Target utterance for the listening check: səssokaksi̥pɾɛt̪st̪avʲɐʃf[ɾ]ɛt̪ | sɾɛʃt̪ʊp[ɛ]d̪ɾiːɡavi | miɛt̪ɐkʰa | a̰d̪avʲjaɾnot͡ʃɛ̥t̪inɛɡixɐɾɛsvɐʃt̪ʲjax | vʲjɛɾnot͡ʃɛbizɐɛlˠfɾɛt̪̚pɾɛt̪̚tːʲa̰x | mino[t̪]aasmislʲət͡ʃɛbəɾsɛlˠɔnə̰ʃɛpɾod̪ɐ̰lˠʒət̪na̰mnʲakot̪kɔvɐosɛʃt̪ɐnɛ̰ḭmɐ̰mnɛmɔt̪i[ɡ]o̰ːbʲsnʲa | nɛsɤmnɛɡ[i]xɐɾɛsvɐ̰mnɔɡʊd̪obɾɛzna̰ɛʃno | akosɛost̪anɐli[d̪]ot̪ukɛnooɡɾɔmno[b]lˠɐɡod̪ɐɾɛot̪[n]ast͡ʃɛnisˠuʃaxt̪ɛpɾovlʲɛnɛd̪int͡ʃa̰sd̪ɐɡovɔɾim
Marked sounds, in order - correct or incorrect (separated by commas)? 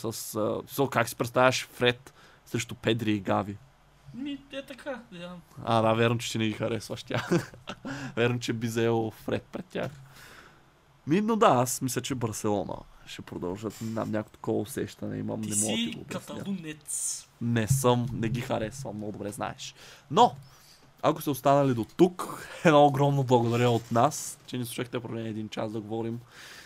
correct, correct, incorrect, correct, correct, correct, correct, correct